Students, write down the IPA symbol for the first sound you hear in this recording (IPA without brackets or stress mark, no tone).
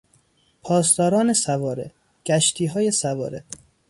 pʰ